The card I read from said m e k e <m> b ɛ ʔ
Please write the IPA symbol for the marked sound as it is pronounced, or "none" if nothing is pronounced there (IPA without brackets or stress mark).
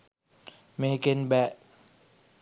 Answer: n